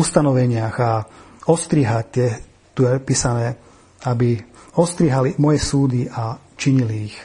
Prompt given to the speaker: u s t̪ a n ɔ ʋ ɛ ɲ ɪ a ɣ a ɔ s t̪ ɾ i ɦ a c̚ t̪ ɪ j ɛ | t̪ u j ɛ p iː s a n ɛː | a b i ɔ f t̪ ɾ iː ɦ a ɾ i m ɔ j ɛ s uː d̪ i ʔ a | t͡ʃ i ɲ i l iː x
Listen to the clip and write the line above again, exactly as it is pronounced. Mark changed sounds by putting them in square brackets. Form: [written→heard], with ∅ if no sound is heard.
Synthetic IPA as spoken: u s t̪ a n ɔ ʋ ɛ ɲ ɪ a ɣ a ɔ s t̪ ɾ i ɦ a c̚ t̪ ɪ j ɛ | t̪ u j ɛ p iː s a n ɛː | a b i ɔ [f→s] t̪ ɾ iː ɦ a [ɾ→l] i m ɔ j ɛ s uː d̪ i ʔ a | t͡ʃ i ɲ i l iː x